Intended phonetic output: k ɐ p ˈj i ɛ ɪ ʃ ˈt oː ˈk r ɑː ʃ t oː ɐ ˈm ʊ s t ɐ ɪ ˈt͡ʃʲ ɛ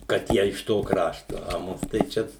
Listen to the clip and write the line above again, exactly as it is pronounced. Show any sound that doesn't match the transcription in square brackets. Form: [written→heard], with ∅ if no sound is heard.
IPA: k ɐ [p→t] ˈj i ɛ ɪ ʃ ˈt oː ˈk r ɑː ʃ t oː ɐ ˈm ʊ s t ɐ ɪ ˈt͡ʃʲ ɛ